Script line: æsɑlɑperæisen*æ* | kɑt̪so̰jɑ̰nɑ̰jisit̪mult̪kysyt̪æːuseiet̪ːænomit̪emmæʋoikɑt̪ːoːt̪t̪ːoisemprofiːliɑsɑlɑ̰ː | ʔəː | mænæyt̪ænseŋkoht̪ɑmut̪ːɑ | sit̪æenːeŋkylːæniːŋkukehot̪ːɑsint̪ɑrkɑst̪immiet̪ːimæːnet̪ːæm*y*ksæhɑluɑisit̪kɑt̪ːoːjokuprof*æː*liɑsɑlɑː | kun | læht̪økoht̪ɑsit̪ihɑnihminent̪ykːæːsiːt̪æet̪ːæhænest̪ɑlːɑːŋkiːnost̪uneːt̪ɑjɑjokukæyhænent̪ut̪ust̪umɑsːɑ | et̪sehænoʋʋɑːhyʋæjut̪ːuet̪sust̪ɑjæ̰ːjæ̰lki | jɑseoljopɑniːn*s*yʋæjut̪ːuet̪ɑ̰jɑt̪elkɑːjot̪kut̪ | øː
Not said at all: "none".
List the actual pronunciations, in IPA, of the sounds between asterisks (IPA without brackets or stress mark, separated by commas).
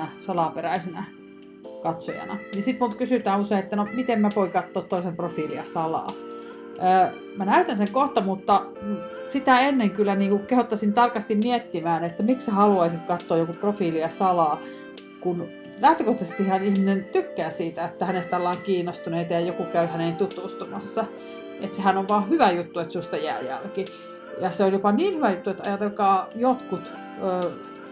æ, i, iː, h